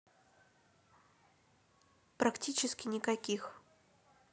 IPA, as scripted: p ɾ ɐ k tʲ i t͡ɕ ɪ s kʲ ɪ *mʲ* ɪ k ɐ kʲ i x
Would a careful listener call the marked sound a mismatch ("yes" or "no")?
yes